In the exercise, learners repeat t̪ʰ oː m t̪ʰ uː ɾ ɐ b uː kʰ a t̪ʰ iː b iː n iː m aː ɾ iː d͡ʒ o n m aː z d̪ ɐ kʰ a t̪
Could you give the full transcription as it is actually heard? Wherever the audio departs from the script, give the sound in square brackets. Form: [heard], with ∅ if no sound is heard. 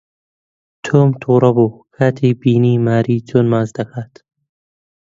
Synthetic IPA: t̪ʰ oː m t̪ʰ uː ɾ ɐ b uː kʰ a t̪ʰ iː b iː n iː m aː ɾ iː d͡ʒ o n m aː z d̪ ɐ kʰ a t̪

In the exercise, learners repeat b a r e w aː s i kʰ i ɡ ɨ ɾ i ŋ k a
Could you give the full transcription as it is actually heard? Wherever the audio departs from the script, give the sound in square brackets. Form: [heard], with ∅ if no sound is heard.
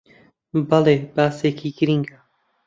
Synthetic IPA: b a [l] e [b] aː s [e] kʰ i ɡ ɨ ɾ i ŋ [ɡ] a

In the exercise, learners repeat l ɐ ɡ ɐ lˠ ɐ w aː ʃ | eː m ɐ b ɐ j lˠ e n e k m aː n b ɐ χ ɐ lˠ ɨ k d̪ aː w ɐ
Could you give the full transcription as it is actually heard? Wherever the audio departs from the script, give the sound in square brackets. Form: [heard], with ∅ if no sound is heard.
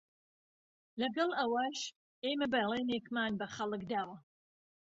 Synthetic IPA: l ɐ ɡ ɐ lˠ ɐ w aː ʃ | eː m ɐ b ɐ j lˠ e n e k m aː n b ɐ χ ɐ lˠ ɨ k d̪ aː w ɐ

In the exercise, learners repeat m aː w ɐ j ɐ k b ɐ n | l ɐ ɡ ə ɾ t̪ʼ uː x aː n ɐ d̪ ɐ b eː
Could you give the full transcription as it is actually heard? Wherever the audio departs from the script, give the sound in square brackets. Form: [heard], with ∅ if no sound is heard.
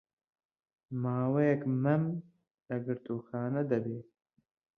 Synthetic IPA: m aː w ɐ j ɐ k [m] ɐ [m] | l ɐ ɡ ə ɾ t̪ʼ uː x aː n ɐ d̪ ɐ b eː

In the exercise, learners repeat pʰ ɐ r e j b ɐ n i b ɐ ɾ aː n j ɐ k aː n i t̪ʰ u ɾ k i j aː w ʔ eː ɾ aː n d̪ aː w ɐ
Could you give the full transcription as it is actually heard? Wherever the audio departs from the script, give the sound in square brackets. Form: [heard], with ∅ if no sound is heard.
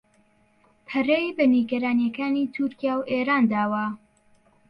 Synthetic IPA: pʰ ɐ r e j b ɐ n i [ɡ] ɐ ɾ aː n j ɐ k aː n i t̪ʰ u ɾ k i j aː w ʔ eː ɾ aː n d̪ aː w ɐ

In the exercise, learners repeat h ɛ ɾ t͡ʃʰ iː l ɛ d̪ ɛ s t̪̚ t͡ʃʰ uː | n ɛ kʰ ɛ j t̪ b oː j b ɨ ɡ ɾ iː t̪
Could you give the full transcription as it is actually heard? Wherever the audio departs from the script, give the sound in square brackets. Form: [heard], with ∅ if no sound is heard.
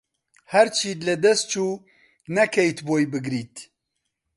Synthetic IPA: h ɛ ɾ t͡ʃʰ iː l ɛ d̪ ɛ s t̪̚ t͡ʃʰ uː | n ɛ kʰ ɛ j t̪ b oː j b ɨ ɡ ɾ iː t̪

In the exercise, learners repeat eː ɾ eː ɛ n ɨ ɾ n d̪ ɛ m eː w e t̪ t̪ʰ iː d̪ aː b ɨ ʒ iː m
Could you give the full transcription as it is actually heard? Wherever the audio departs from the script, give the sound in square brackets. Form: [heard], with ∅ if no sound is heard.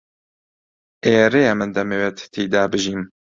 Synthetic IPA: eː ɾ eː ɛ [m] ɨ [∅] n d̪ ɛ m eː w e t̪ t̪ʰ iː d̪ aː b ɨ ʒ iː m

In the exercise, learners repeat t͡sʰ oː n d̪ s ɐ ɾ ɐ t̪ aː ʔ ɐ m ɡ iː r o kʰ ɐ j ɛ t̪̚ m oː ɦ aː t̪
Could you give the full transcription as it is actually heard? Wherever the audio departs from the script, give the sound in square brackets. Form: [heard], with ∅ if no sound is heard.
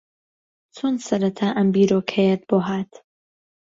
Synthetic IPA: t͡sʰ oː n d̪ s ɐ ɾ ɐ [t̪ʰ] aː ʔ ɐ m [b] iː [ɾ] o kʰ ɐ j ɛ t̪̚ [b] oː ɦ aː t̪

